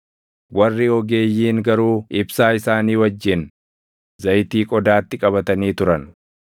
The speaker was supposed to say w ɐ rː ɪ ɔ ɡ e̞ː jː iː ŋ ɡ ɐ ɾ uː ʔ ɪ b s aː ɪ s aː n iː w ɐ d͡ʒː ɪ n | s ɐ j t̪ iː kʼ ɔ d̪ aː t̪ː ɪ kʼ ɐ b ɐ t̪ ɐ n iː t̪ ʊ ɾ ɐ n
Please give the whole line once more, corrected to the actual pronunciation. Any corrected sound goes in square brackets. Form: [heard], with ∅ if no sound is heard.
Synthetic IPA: w ɐ rː ɪ ɔ ɡ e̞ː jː iː ŋ ɡ ɐ ɾ uː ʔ ɪ b s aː ɪ s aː n iː w ɐ d͡ʒː ɪ n | [z] ɐ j t̪ iː kʼ ɔ d̪ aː t̪ː ɪ kʼ ɐ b ɐ t̪ ɐ n iː t̪ ʊ ɾ ɐ n